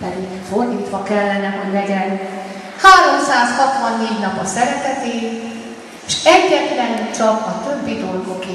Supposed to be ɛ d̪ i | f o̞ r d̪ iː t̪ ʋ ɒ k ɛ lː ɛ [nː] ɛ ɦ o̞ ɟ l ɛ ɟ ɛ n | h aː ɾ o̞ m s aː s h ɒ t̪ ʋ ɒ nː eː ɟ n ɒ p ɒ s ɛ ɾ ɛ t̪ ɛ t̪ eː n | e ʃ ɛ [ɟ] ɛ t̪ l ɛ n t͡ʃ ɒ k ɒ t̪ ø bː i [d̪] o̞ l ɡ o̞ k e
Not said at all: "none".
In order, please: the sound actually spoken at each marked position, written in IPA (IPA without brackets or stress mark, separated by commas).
n, ɟː, d̪